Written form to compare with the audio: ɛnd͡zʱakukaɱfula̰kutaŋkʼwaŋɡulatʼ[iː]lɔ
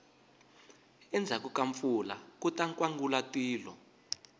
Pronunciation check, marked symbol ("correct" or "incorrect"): correct